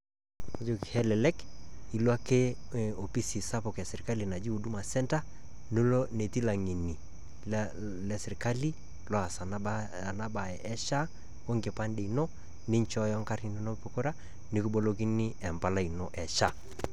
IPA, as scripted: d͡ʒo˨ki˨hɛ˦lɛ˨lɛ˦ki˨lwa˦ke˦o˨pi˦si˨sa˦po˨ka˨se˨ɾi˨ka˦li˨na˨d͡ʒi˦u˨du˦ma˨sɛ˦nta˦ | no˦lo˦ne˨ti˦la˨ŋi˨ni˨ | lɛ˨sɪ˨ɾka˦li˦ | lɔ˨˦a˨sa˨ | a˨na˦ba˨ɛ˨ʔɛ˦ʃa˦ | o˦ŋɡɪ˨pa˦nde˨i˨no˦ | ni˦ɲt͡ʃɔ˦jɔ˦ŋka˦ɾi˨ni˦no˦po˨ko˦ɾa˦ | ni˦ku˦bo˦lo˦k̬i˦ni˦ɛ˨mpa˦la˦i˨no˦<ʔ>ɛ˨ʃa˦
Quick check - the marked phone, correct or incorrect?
correct